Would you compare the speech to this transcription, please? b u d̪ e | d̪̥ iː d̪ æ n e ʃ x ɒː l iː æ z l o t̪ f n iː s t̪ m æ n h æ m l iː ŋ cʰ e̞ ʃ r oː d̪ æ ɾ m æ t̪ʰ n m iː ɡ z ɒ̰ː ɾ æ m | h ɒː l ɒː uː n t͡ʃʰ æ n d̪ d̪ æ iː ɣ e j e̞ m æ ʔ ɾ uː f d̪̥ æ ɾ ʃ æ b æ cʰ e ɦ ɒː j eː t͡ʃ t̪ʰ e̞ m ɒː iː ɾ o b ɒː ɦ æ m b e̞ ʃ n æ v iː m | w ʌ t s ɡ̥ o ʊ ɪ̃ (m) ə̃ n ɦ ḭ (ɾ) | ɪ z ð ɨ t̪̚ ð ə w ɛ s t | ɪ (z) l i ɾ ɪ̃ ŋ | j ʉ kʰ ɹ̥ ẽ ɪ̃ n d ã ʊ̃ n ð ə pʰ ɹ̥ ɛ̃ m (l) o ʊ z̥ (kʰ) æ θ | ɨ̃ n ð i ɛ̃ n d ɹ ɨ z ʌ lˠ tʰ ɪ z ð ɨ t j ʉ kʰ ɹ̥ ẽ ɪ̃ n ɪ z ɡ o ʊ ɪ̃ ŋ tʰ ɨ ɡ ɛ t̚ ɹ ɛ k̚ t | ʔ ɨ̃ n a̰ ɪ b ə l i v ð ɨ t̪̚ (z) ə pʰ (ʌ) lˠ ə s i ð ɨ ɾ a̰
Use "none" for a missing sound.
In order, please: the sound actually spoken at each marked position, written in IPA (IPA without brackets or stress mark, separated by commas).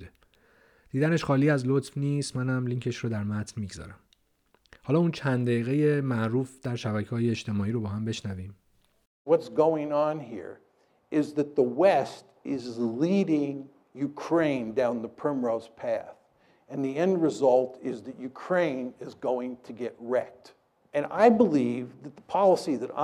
ŋ, ɹ, z, ɹ, pʰ, ð, ɑ